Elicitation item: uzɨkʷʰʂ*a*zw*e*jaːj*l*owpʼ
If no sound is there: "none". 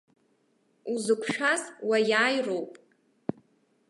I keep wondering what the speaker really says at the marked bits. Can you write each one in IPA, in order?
a, a, r

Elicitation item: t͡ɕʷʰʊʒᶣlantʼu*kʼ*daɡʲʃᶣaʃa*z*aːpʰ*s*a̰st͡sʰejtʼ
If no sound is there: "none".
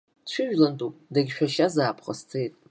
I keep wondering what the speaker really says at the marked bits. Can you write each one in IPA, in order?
pʼ, z, χ

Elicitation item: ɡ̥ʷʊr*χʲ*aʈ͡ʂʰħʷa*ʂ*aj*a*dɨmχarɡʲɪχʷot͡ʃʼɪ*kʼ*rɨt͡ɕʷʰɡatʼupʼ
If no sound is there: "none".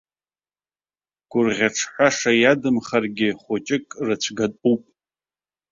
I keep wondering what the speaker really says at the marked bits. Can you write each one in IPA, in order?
ʁʲ, ʂ, a, kʼ

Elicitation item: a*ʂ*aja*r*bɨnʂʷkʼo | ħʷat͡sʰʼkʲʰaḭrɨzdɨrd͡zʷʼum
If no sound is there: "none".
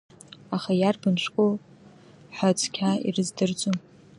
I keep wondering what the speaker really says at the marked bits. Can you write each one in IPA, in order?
χ, r

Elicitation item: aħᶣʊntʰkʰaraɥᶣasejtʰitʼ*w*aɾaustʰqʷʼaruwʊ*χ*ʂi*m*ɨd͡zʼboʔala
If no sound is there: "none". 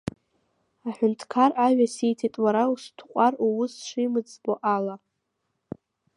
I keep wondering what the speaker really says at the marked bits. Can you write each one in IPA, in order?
w, s, m

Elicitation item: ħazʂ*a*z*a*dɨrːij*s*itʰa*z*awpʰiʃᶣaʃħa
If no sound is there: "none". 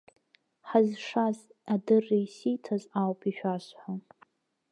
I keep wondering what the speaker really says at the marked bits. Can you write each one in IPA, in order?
a, a, s, z

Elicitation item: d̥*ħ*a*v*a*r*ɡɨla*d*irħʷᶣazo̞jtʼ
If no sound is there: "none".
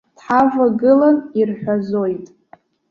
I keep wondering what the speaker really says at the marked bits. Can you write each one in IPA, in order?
ħ, v, none, n

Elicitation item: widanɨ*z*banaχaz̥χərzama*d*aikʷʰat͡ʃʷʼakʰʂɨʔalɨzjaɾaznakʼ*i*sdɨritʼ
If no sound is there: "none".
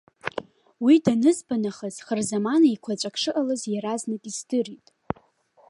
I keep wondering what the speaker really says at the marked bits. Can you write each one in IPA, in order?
z, n, i

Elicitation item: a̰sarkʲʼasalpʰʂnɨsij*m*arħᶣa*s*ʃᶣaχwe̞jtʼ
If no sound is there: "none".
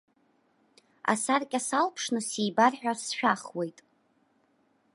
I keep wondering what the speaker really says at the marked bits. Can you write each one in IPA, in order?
b, s

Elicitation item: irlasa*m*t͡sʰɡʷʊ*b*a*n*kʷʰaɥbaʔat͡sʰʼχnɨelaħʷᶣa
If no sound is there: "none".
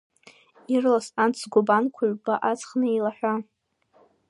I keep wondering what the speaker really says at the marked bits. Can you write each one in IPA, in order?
n, b, n

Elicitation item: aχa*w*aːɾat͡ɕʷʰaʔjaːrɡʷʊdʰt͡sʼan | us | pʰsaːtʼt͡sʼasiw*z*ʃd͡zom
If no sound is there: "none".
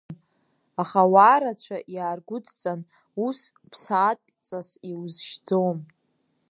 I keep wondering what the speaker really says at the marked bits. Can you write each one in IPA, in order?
w, z

